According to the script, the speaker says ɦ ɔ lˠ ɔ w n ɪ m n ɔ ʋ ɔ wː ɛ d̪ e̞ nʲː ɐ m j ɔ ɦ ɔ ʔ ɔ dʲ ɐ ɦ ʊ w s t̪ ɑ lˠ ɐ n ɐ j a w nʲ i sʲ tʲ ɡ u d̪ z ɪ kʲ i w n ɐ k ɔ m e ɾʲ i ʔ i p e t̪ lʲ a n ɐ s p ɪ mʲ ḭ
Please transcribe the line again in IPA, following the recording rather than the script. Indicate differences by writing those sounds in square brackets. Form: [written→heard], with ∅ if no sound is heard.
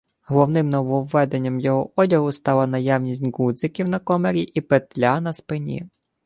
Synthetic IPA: ɦ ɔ lˠ ɔ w n ɪ m n ɔ ʋ ɔ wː ɛ d̪ e̞ nʲː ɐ m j ɔ ɦ ɔ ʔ ɔ dʲ ɐ ɦ ʊ [w→∅] s t̪ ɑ lˠ ɐ n ɐ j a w nʲ i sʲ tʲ ɡ u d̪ z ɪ kʲ i w n ɐ k ɔ m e ɾʲ i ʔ i p e t̪ lʲ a n ɐ s p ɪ [mʲ→nʲ] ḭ